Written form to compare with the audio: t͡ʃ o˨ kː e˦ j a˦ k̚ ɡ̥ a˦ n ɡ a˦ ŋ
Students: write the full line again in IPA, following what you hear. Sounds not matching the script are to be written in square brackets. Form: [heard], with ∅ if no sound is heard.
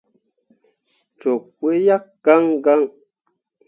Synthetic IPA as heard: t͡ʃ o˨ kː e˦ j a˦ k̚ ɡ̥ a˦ [ŋ] ɡ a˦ ŋ